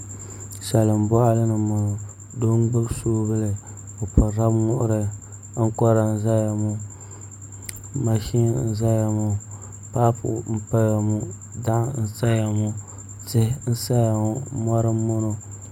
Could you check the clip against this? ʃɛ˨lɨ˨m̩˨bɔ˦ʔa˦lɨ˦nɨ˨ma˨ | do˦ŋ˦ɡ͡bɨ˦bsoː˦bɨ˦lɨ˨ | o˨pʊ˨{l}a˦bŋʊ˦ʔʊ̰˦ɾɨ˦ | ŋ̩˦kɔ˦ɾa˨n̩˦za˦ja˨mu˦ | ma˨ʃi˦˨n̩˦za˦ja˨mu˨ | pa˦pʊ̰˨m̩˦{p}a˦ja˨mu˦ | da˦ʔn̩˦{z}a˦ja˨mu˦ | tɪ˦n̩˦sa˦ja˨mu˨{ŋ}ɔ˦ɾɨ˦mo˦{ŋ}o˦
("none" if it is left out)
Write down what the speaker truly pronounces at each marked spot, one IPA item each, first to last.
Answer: ɾ, p, s, m, n

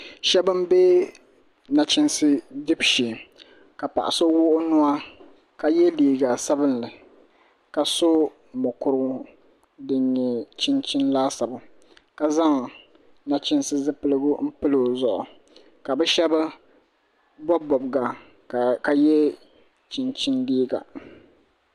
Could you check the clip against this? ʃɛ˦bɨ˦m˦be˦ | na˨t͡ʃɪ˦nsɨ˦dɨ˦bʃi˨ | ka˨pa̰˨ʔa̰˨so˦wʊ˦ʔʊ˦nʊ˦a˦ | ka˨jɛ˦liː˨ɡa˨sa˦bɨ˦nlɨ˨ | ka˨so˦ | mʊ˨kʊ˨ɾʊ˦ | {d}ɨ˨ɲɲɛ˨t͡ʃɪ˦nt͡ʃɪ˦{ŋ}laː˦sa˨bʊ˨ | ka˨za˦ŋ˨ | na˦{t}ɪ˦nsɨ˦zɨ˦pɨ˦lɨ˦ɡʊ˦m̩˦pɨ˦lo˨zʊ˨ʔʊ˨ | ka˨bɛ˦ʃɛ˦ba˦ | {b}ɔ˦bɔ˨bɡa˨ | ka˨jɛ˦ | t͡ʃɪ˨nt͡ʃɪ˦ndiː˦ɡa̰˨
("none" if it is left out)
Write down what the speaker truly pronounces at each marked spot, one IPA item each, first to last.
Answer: d, n, t͡ʃ, b

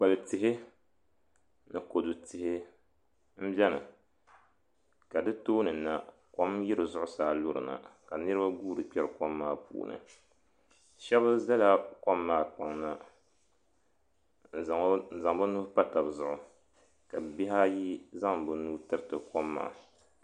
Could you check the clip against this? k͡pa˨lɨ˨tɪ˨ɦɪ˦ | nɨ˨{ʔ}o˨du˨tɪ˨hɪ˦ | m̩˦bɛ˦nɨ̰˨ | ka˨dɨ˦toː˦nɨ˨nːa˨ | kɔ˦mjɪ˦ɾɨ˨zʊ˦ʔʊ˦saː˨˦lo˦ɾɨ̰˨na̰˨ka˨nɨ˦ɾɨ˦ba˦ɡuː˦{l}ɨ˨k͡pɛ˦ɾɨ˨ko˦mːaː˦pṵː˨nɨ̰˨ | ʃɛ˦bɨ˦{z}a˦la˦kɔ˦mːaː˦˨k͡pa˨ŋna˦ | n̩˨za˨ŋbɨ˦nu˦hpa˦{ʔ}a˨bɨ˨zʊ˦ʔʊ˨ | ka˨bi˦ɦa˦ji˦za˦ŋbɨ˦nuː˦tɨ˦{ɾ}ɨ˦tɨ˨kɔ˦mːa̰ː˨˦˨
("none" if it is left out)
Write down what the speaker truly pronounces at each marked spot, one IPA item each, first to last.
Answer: k, ɾ, z, t, ɾ

